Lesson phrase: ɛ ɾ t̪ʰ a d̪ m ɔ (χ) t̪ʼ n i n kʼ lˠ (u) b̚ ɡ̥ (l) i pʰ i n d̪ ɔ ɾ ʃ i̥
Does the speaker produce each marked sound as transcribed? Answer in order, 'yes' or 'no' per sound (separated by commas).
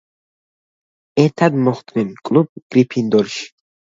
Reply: yes, yes, no